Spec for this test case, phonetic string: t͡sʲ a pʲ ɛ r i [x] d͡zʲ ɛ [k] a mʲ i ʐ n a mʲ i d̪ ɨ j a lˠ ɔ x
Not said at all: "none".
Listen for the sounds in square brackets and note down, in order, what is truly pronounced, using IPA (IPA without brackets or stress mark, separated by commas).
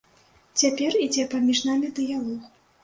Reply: none, p